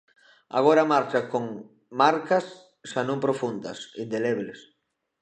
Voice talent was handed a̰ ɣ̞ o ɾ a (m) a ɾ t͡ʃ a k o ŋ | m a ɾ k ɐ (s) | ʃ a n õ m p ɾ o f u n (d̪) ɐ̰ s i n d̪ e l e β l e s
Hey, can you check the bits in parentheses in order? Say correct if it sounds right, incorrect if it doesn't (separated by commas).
correct, correct, correct